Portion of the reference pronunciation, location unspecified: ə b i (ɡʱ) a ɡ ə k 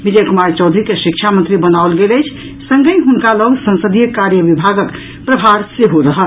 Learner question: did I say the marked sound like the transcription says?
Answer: no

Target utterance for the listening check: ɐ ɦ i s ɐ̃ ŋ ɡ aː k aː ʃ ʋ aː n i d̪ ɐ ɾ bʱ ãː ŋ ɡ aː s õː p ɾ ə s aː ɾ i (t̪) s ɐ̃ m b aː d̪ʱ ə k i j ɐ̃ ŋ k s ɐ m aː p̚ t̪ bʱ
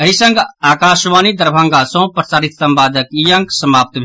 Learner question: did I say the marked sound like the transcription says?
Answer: yes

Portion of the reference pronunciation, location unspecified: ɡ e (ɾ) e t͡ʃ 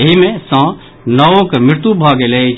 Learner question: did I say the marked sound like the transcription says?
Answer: no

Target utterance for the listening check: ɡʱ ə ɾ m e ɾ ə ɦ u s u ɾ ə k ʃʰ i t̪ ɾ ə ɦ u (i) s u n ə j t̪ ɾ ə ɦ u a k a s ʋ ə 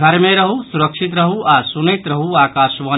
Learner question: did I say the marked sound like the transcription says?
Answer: no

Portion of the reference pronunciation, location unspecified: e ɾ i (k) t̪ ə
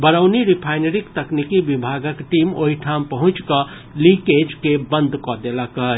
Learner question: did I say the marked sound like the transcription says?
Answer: yes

